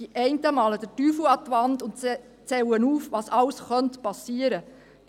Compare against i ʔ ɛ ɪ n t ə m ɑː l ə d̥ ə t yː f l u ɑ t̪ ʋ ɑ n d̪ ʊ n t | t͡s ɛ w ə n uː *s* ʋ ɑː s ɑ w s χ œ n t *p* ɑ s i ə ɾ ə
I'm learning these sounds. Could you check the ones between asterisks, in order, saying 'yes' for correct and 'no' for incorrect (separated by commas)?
no, yes